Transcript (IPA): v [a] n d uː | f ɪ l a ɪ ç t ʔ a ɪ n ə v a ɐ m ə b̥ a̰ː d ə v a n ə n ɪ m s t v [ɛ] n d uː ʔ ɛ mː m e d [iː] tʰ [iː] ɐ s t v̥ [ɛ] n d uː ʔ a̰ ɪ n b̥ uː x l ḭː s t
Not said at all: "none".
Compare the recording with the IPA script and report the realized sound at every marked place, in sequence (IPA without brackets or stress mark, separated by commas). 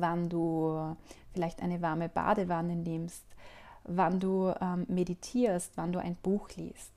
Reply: a, a, i, iː, a